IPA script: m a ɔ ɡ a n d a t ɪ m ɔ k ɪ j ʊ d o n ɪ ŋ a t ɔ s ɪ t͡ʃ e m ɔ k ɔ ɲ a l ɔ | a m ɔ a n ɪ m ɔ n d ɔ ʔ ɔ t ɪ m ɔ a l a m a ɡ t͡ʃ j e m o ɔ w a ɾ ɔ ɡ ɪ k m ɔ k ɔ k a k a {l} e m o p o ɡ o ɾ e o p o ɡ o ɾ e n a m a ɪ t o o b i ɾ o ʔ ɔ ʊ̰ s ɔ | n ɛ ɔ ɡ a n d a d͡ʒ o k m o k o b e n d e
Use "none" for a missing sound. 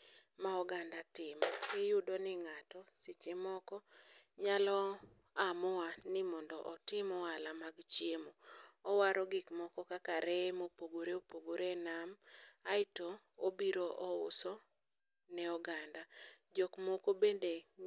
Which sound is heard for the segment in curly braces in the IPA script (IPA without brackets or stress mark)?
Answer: ɾ